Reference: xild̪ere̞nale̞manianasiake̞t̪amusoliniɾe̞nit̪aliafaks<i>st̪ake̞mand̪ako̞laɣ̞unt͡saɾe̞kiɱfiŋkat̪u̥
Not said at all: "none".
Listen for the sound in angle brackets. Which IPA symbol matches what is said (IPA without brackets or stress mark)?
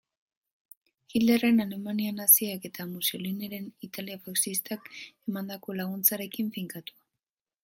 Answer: i